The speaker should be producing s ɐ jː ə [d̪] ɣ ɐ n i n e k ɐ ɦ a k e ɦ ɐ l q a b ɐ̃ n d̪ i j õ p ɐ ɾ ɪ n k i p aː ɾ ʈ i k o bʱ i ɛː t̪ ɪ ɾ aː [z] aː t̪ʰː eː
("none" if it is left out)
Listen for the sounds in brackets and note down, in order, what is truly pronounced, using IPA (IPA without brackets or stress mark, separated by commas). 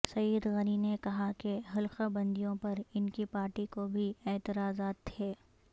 d̪, z